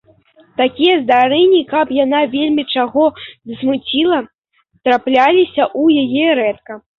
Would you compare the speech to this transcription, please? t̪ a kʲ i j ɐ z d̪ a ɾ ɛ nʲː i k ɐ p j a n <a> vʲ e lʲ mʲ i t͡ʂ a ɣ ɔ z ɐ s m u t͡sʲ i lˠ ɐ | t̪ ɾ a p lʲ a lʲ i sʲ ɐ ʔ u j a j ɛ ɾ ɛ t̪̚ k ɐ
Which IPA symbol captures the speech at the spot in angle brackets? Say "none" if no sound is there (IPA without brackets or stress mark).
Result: a